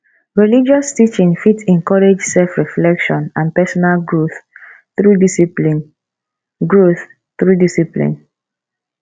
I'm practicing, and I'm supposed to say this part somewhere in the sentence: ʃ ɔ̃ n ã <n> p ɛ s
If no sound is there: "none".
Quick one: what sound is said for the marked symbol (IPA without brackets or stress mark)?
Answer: n